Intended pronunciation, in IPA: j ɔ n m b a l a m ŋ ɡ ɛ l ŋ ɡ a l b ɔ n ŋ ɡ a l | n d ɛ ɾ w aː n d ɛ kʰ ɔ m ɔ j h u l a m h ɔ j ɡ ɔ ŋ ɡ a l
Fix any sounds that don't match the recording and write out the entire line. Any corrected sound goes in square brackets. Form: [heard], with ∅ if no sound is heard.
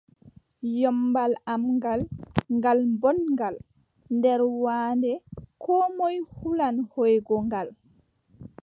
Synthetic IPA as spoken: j ɔ [∅] m b a l a m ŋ ɡ [a] l ŋ ɡ a l b ɔ n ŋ ɡ a l | n d ɛ ɾ w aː n d ɛ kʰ ɔ m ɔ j h u l a [n] h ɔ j ɡ ɔ ŋ ɡ a l